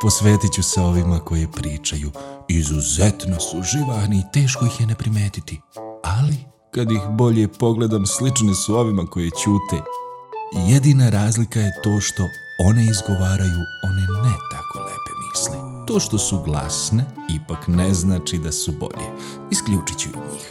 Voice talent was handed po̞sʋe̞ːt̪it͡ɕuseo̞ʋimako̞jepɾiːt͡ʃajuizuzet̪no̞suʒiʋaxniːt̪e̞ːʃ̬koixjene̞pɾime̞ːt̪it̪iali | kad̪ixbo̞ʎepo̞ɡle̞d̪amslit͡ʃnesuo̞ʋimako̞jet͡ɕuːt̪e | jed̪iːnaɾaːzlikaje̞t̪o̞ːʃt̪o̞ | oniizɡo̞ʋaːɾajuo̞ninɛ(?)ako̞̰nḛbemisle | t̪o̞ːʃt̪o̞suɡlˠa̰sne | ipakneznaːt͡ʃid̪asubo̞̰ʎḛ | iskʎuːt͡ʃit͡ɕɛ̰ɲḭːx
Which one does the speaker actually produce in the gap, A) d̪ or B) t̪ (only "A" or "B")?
B